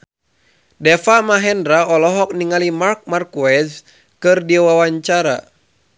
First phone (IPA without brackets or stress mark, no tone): d